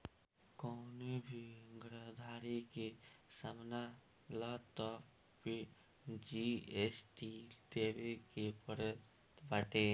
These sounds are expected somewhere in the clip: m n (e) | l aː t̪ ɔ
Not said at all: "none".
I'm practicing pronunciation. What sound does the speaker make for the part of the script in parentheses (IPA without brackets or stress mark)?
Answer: a